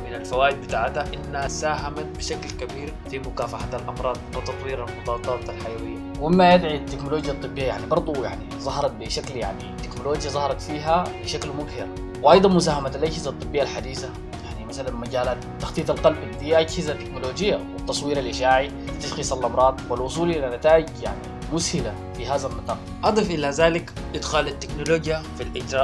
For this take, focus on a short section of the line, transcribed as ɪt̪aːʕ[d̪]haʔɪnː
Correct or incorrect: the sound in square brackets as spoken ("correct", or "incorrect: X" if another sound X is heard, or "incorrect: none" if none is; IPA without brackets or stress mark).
incorrect: t̪